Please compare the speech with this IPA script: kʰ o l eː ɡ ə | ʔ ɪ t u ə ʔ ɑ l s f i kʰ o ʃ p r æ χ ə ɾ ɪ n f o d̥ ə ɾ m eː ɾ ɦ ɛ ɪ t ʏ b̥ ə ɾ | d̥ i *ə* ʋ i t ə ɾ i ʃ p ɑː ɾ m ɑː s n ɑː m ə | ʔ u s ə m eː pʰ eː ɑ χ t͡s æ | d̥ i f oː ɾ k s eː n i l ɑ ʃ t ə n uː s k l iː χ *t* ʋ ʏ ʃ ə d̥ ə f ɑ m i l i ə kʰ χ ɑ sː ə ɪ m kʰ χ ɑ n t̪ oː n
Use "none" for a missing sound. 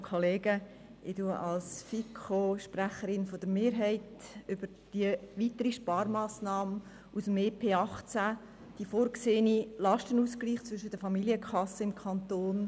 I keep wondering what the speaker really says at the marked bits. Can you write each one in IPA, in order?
ə, t͡s

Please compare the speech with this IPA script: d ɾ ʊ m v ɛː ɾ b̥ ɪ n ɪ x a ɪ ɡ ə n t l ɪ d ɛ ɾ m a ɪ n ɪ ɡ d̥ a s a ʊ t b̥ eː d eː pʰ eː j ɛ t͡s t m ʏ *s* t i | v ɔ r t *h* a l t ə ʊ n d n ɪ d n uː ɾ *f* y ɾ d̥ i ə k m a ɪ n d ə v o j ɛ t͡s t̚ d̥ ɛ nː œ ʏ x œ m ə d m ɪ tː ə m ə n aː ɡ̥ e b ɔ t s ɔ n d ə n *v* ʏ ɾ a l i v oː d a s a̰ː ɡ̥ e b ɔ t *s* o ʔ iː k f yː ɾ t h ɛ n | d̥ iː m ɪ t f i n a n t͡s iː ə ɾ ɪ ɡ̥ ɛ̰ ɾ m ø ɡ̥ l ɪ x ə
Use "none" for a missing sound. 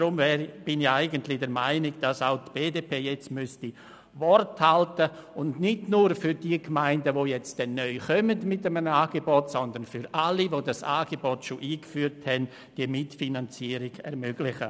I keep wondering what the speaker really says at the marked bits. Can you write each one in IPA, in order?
s, h, f, f, ʃ

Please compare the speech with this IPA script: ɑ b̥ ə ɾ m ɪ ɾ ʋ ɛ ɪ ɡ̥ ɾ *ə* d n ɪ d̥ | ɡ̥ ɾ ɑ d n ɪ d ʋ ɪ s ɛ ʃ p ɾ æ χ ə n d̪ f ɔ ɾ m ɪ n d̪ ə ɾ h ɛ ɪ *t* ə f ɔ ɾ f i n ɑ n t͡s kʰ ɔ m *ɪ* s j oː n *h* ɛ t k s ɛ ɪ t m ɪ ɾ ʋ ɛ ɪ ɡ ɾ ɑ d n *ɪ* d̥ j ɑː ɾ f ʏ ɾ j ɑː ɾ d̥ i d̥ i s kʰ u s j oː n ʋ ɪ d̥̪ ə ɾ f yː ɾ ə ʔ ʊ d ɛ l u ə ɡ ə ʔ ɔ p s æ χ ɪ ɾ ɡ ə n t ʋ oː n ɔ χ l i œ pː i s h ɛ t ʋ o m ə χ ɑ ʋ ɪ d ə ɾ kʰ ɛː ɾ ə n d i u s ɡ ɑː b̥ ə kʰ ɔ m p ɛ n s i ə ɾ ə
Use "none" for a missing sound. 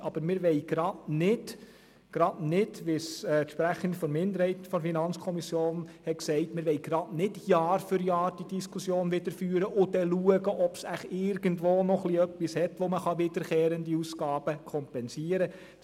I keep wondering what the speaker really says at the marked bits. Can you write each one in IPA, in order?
ɑ, t, i, h, ɪ

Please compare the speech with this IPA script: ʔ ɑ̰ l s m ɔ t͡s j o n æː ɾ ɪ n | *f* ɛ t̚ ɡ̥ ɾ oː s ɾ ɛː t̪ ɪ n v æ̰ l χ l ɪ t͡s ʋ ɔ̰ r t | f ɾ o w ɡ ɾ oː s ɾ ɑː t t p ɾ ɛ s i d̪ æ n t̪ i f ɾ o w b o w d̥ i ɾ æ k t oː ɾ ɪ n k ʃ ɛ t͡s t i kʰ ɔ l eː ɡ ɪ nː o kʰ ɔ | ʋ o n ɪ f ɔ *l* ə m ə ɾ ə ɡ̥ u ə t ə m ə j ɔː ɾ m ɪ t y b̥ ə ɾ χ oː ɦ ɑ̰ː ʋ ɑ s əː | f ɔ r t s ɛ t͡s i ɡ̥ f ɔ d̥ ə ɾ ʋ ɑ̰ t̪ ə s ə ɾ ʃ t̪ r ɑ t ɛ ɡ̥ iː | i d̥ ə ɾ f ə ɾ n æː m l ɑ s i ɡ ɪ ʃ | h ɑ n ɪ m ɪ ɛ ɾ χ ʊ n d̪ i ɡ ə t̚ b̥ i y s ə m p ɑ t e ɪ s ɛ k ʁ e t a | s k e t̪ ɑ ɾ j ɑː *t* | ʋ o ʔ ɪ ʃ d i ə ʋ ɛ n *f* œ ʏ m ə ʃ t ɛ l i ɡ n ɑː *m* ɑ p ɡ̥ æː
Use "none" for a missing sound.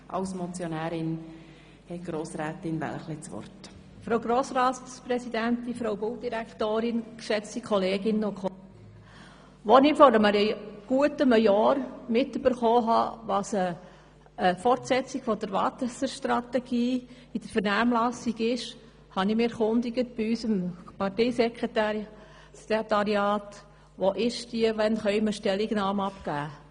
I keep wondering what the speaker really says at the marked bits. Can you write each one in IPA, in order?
h, ɾ, t, χ, m

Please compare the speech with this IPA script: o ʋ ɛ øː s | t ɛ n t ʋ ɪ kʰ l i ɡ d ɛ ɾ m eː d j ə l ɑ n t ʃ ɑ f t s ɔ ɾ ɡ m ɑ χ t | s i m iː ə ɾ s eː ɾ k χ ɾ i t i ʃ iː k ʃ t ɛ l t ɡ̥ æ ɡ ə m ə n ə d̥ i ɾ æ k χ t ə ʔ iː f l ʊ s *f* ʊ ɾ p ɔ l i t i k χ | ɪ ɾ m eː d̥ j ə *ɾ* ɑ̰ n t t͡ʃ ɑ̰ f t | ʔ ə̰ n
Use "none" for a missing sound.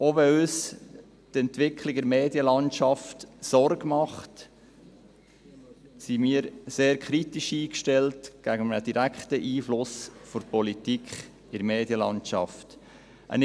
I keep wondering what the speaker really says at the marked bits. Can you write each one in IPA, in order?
f, l

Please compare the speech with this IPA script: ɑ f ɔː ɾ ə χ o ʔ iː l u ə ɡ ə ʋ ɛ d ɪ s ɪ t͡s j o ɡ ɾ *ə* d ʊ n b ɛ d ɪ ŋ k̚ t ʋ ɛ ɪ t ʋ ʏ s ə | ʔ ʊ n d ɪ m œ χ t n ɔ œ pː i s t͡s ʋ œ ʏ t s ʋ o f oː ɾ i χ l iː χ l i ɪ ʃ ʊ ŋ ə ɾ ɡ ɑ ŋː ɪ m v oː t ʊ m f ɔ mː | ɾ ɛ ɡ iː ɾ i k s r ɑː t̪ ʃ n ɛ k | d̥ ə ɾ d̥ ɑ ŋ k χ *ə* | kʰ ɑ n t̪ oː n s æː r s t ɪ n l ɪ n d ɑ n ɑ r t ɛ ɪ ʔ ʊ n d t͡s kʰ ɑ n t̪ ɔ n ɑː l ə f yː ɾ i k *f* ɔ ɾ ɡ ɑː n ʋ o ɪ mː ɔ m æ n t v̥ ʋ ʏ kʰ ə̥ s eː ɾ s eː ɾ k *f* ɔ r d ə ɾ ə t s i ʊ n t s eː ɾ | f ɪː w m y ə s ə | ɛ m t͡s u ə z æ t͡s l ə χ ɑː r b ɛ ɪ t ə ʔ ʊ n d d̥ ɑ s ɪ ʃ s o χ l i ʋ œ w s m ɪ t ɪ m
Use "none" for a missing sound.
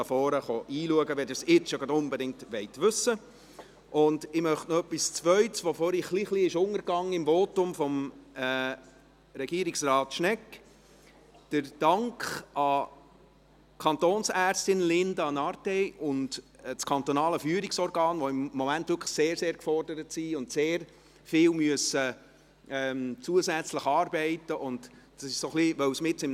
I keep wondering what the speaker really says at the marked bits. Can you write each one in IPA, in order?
ɑ, ɑ, s, f

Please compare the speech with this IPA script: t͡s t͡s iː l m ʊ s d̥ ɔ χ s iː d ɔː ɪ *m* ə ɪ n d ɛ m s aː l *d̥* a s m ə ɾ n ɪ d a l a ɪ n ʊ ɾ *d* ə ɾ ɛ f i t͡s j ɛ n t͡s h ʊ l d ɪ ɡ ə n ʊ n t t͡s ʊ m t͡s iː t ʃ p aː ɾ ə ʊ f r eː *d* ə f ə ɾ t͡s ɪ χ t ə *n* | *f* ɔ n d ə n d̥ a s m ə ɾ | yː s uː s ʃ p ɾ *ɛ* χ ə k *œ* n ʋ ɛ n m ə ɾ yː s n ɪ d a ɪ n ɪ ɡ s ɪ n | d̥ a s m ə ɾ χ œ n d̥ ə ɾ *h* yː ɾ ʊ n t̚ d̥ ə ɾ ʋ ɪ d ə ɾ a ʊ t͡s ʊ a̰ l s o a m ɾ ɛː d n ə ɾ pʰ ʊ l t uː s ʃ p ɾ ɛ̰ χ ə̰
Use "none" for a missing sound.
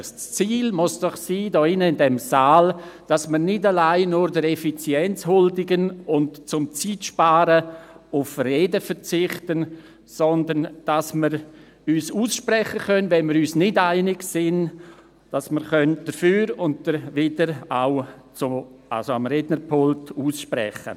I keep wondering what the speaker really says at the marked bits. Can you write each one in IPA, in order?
n, d̥, d, d, n, s, ɛ, œ, f

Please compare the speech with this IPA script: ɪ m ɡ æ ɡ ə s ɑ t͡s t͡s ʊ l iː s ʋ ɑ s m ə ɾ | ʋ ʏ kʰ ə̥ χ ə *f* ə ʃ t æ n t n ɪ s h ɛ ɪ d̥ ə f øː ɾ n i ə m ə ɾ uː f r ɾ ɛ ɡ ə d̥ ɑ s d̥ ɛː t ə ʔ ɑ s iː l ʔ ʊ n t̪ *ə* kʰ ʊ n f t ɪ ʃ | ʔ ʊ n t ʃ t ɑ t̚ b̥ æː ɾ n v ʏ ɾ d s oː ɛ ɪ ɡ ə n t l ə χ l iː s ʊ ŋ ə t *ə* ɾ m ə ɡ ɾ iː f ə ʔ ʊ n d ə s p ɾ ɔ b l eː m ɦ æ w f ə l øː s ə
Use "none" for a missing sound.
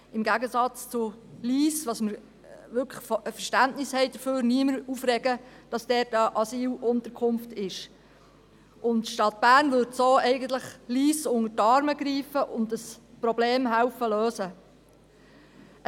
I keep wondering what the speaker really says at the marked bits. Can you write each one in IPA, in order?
f, ə, ɑ

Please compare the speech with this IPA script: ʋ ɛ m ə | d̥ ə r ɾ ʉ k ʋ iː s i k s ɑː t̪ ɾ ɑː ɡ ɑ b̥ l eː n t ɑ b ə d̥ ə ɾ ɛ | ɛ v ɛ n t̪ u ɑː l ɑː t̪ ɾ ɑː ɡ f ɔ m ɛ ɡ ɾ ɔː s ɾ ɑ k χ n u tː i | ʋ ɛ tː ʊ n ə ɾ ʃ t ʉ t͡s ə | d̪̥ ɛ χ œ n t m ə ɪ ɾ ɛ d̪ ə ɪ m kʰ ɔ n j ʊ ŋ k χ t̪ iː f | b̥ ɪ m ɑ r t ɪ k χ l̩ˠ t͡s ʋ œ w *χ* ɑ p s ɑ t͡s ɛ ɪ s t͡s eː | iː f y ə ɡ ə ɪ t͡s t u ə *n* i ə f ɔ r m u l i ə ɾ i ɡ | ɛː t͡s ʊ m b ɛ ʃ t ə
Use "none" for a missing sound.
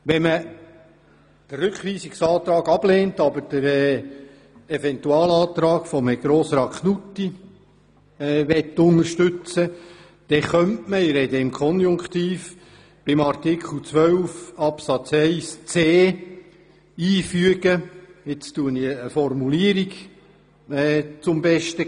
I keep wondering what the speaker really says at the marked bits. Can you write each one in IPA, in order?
f, n

